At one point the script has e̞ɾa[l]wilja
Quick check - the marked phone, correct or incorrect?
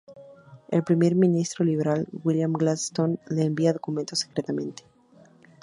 correct